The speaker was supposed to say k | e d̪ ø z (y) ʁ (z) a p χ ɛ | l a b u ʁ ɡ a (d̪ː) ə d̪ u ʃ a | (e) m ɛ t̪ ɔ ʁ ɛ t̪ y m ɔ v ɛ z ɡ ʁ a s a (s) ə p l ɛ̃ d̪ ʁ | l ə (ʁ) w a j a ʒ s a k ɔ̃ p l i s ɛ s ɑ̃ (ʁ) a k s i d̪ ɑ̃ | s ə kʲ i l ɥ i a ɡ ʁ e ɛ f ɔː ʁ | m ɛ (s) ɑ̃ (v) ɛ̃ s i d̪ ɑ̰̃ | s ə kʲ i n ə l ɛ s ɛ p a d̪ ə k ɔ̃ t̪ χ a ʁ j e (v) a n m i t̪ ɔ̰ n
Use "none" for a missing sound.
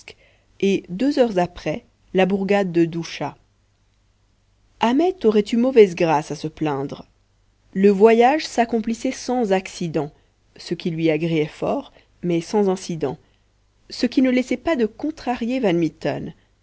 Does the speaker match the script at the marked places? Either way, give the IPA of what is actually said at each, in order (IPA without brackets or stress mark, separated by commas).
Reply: œ, z, d̪ː, a, s, v, z, s, z, v